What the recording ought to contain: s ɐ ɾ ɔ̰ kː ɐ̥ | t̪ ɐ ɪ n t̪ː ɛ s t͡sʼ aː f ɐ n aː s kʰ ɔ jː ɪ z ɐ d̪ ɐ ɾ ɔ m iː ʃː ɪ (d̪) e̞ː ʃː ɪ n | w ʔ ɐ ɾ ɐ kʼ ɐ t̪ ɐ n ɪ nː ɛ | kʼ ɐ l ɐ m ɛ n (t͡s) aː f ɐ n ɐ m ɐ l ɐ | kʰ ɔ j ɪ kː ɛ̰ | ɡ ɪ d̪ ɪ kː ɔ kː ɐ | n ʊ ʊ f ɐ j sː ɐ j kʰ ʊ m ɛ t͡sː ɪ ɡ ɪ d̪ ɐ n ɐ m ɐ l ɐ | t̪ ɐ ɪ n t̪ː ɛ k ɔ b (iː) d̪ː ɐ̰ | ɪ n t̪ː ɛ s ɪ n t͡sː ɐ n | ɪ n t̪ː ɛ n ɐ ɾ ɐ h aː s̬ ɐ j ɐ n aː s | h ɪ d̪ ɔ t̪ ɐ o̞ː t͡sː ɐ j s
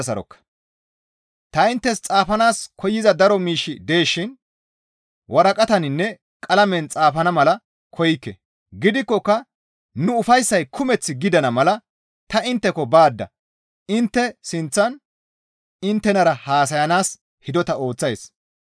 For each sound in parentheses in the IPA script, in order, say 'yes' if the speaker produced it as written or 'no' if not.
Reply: yes, no, no

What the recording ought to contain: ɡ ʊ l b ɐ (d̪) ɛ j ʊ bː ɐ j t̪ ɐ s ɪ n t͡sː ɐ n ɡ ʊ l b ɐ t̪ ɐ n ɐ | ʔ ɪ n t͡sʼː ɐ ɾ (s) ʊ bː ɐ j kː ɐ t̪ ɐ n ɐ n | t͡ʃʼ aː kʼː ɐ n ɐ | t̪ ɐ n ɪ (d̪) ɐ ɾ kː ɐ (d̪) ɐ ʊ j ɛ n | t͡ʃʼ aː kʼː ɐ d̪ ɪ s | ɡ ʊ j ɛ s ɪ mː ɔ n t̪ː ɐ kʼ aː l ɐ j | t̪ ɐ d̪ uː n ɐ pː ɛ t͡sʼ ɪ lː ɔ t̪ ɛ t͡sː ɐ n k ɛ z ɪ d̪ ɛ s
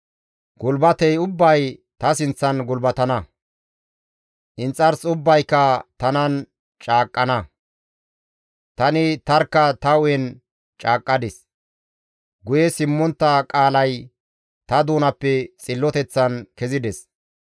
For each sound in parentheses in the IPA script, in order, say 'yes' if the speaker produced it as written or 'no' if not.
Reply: no, yes, no, no

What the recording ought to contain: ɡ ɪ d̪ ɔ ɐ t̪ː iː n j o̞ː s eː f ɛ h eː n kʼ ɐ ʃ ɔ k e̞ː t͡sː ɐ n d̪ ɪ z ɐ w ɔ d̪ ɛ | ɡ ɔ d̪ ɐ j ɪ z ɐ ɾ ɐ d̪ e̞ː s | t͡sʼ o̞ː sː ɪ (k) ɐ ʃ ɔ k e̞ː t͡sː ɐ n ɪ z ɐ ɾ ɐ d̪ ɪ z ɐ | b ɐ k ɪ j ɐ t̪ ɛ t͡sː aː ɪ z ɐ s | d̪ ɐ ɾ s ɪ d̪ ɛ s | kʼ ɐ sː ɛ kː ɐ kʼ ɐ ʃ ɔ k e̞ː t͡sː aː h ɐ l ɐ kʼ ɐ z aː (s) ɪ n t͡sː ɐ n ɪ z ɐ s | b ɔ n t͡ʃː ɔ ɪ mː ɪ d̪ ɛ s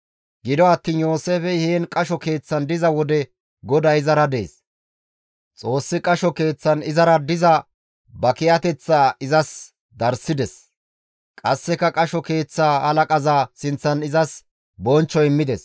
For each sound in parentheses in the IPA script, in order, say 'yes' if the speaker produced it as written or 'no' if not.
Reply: no, yes

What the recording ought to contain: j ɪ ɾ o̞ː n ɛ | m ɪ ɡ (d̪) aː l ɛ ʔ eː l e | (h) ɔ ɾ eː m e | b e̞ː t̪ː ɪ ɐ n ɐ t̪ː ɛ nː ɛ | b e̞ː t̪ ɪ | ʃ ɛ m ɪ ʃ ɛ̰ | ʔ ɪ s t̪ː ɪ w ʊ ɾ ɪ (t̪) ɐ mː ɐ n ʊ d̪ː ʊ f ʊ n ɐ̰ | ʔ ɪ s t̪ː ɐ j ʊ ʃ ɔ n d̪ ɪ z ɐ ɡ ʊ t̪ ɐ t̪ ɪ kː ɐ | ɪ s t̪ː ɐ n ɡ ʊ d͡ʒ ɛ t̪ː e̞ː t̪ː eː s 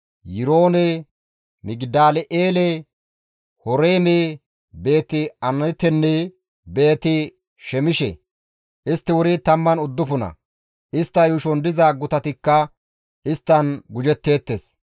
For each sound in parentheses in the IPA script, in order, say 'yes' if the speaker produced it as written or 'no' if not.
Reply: yes, yes, yes

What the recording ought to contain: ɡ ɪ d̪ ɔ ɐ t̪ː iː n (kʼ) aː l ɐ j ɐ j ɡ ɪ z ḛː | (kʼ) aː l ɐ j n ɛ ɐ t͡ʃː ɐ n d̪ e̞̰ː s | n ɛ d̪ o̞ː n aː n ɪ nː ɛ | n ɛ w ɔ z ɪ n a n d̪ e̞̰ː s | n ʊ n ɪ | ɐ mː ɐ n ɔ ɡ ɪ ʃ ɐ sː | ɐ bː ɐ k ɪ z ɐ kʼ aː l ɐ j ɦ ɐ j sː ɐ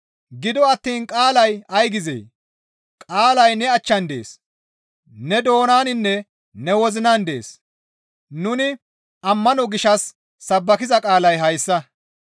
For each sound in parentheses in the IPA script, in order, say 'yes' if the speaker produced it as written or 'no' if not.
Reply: yes, yes

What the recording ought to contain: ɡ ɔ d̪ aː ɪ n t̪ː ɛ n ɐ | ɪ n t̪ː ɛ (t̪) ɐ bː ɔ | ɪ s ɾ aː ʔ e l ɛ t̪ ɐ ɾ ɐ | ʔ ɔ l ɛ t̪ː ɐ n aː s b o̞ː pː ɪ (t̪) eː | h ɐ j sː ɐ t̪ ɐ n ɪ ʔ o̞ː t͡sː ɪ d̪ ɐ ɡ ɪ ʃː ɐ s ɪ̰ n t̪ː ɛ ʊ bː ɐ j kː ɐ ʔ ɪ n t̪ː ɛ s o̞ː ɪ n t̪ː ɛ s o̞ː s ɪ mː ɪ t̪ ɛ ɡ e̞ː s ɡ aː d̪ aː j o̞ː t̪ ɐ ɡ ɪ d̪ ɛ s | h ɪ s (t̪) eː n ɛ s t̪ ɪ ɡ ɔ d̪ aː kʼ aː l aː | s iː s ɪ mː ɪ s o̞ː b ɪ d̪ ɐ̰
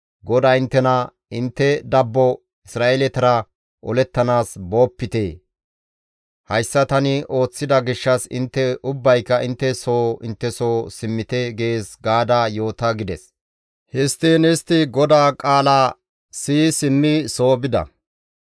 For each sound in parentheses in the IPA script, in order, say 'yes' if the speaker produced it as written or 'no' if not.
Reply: no, yes, yes

